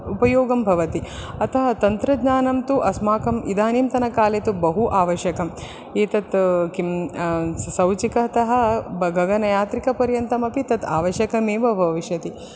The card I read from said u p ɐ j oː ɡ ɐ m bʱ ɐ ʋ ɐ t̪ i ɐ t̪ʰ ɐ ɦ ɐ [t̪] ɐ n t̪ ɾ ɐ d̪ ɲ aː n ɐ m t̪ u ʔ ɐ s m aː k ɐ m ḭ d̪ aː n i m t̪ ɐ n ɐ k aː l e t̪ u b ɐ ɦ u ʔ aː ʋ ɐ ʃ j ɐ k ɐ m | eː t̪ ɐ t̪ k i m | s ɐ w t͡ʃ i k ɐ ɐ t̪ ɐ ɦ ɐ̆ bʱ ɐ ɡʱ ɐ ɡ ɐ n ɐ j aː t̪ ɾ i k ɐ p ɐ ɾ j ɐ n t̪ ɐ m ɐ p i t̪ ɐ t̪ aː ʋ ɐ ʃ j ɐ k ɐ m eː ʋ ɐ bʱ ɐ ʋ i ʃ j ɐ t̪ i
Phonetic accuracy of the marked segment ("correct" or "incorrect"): correct